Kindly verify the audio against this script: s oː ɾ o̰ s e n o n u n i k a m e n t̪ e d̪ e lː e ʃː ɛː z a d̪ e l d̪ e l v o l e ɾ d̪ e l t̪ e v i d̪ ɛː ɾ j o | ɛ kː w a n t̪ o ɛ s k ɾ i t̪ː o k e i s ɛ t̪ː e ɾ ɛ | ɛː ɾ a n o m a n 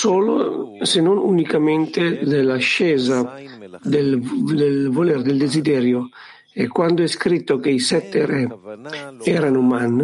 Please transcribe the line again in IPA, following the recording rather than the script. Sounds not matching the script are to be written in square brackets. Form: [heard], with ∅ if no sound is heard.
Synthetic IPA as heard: s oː [l] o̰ s e n o n u n i k a m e n t̪ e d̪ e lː [a] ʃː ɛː z a d̪ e l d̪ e l v o l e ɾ d̪ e l [d̪] e [z] i d̪ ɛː ɾ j o | ɛ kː w a n [d̪] o ɛ s k ɾ i t̪ː o k e i s ɛ t̪ː e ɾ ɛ | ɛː ɾ a n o m a n